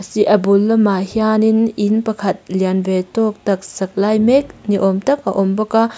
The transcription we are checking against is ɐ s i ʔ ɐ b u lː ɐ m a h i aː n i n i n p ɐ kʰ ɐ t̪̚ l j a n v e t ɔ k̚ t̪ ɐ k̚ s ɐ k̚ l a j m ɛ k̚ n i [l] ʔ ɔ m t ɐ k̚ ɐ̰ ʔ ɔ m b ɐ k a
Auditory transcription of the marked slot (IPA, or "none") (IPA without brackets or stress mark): none